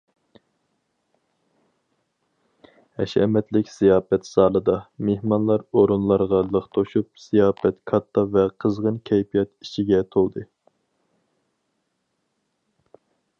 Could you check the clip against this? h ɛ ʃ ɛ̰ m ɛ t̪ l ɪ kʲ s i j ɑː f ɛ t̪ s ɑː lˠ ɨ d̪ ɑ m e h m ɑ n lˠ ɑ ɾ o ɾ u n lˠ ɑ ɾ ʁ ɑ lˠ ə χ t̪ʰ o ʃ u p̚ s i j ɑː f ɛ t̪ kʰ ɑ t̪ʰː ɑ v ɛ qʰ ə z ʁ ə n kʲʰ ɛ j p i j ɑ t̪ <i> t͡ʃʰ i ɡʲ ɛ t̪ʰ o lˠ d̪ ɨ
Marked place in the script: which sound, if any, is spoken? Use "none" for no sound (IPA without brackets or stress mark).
i